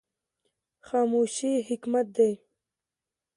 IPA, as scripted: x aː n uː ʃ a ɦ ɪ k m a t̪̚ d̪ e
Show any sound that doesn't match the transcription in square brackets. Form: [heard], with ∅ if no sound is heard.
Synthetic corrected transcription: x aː [m] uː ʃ [i] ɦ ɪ k m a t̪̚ d̪ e